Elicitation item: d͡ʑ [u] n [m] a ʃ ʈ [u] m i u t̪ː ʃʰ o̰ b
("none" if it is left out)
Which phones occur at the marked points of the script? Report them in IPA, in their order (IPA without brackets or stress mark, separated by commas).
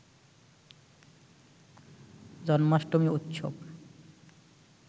ɔ, m, o